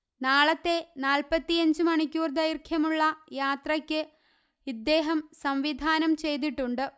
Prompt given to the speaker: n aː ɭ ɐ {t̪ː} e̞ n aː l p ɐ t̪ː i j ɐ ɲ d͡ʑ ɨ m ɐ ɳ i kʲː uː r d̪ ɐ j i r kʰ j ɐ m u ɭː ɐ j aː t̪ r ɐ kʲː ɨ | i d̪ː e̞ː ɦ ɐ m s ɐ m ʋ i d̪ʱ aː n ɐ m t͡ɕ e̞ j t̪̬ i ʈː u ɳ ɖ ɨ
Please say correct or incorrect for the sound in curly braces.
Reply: correct